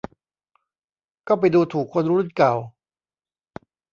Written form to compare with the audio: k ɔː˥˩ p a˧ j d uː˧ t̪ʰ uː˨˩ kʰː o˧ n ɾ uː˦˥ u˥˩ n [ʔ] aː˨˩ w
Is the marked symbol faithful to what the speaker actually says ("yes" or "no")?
no